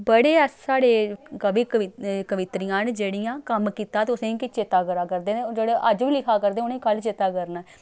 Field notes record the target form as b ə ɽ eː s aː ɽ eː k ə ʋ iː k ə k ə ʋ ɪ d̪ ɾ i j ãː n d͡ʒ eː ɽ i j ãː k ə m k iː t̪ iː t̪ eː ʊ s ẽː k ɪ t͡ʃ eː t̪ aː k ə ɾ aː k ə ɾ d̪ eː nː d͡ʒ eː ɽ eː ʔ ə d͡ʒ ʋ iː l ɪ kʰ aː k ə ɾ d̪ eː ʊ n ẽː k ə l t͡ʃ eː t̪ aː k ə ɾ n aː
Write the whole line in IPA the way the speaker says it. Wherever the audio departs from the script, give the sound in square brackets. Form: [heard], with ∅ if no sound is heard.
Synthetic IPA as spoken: b ə ɽ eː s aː ɽ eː k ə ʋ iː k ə k ə ʋ ɪ [t̪] ɾ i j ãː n d͡ʒ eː ɽ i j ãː k ə m k iː t̪ [aː] t̪ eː ʊ s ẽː k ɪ t͡ʃ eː t̪ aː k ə ɾ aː k ə ɾ d̪ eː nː d͡ʒ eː ɽ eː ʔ ə d͡ʒ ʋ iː l ɪ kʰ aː k ə ɾ d̪ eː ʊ n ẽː k ə l t͡ʃ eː t̪ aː k ə ɾ n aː